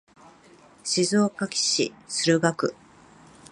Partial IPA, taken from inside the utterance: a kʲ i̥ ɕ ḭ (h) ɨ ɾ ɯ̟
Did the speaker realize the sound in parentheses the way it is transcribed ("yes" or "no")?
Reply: no